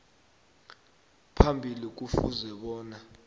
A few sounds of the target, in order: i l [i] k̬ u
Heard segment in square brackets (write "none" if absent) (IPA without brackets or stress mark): i